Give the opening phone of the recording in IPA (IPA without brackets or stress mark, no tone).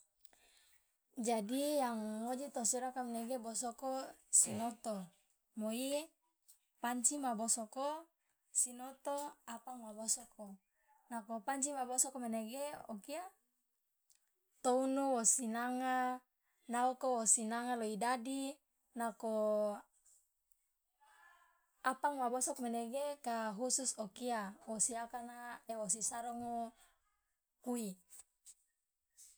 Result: d͡ʒ